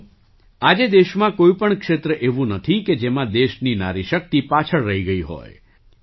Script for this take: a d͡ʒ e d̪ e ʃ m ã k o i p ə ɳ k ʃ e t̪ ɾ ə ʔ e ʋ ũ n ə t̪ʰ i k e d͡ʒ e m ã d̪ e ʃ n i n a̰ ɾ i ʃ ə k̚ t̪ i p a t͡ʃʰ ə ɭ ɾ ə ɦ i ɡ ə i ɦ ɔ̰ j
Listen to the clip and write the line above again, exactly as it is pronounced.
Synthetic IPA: a d͡ʒ e d̪ e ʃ m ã k o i p ə ɳ k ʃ e t̪ ɾ ə ʔ e ʋ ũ n ə t̪ʰ i k e d͡ʒ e m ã d̪ e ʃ n i n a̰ ɾ i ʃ ə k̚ t̪ i p a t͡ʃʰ ə ɭ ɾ ə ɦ i ɡ ə i ɦ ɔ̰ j

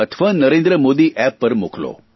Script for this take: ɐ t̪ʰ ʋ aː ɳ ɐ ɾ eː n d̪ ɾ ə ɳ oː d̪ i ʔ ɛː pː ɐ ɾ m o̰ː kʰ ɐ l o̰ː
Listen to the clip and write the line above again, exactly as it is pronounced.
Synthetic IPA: ɐ t̪ʰ ʋ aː n ɐ ɾ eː n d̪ ɾ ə m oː d̪ i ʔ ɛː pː ɐ ɾ m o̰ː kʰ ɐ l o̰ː

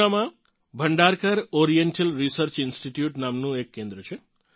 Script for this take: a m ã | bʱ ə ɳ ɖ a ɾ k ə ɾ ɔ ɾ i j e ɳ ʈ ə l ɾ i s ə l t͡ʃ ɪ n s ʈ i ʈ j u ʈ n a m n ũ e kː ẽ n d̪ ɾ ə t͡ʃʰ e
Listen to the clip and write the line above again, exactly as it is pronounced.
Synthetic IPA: a m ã | bʱ ə ɳ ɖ a ɾ k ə ɾ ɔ ɾ i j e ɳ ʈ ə l ɾ i s ə ɾ t͡ʃ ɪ n s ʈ i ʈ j u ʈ n a m n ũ e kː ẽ n d̪ ɾ ə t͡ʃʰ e

